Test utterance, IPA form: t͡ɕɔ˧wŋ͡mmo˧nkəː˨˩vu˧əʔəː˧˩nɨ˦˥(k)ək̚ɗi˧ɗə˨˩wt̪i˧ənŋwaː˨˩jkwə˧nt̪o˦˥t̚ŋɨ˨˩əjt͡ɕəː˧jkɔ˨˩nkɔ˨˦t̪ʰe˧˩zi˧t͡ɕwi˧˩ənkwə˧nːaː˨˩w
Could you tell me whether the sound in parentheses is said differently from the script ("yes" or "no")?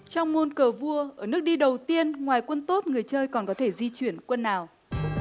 yes